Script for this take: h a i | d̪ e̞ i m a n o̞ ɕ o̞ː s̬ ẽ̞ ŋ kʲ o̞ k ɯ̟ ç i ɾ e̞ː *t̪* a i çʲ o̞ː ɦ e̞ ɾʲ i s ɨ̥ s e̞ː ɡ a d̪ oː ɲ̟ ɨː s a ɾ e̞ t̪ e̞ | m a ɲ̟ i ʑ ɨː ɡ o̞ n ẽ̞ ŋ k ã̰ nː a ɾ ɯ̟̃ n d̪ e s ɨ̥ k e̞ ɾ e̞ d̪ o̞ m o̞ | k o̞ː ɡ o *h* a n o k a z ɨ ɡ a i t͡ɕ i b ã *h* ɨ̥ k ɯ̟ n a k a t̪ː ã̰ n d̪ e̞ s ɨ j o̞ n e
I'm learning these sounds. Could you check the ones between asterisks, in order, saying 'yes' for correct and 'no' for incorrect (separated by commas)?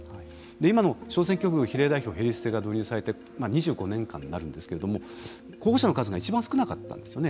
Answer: no, no, no